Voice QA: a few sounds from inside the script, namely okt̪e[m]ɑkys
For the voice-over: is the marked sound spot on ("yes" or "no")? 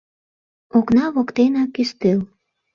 no